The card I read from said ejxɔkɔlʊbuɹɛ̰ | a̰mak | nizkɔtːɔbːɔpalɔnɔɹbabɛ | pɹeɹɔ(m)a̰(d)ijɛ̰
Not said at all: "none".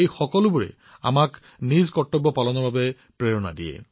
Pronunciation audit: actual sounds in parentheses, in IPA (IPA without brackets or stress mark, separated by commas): n, d